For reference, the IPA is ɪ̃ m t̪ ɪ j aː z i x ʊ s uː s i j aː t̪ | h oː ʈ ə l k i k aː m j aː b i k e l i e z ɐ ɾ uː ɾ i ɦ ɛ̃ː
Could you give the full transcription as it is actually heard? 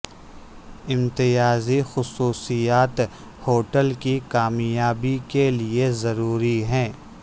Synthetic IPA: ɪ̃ m t̪ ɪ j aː z i x ʊ s uː s i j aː t̪ | h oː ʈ ə l k i k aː m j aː b i k e l i e z ɐ ɾ uː ɾ i ɦ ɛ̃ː